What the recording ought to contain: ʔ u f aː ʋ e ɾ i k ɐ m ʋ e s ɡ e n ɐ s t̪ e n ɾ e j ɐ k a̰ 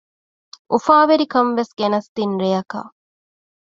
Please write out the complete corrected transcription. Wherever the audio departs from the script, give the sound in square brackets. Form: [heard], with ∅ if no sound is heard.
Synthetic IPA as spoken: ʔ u f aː ʋ e ɾ i k ɐ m ʋ e s ɡ e n ɐ s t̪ [i] n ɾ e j ɐ k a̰